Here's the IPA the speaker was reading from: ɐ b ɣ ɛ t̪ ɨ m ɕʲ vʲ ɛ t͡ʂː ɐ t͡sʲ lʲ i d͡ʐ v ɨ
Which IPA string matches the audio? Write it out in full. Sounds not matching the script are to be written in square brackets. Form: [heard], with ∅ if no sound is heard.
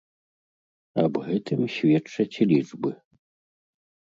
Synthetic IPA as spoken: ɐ b ɣ ɛ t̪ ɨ m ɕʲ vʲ ɛ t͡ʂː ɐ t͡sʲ lʲ i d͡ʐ [b] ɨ